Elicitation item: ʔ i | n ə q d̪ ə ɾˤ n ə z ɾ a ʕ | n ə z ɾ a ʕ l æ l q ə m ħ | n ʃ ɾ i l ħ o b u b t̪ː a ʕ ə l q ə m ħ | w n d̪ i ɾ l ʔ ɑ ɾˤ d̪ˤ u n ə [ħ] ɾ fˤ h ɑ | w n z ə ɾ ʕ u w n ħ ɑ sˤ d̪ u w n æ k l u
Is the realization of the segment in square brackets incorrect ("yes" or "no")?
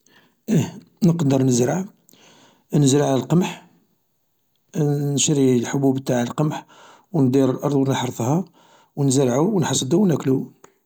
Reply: no